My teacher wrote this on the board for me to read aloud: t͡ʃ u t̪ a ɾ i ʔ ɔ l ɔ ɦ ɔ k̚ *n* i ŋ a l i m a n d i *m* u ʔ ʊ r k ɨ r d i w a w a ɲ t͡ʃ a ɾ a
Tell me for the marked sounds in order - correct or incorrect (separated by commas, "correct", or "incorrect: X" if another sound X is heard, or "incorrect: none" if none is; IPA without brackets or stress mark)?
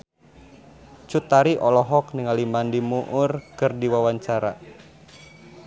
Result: correct, correct